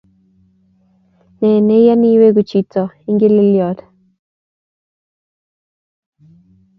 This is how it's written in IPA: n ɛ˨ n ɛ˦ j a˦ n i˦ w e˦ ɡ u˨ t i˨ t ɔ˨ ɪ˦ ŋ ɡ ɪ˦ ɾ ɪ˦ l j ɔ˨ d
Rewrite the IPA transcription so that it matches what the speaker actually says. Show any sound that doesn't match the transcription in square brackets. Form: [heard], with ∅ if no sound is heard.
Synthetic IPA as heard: n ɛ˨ n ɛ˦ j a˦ n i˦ w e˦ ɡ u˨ [t͡ʃ] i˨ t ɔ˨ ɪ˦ ŋ ɡ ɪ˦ [l] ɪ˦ l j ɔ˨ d